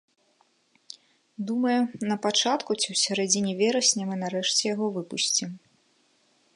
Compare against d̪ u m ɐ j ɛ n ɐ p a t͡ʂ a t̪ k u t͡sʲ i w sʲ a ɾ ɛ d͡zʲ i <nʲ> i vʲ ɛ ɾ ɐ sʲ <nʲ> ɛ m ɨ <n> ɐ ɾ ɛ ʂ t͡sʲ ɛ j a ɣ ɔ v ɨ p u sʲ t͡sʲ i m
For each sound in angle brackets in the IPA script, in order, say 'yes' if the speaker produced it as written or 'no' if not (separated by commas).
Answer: yes, yes, yes